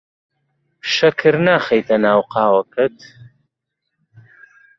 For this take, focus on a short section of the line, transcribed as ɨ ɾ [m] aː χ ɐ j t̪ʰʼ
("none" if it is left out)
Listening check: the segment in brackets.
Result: n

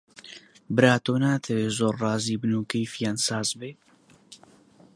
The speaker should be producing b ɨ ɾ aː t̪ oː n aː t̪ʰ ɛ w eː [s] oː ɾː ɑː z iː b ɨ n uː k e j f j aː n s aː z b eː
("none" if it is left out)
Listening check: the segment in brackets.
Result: z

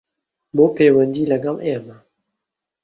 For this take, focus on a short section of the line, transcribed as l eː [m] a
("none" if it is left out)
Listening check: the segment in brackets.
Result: m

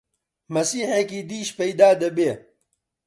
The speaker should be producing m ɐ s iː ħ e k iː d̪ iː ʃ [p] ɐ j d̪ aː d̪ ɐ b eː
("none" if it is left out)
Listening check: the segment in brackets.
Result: p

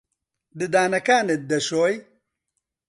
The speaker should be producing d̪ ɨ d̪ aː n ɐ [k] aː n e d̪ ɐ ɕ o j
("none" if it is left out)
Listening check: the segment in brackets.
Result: k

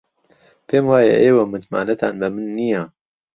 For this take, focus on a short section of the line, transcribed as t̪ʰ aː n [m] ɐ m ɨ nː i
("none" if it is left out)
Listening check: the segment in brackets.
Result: b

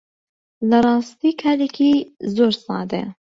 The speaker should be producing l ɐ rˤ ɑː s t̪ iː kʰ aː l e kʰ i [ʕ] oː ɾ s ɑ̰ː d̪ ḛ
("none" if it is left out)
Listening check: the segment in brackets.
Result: z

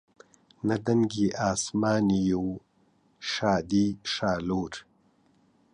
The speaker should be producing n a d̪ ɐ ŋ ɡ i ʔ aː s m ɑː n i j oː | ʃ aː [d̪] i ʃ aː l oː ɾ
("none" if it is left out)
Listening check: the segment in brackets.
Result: d̪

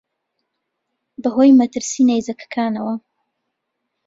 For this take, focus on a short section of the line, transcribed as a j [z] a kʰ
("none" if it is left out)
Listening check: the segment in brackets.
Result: z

